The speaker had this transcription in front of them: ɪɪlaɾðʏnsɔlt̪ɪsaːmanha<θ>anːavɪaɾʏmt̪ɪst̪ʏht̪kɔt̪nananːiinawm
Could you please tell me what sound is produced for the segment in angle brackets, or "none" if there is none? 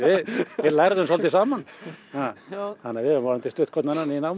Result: h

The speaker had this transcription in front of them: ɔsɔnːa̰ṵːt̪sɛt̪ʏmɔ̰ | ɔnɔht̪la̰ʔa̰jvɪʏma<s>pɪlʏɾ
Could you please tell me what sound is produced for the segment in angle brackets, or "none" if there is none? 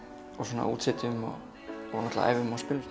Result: s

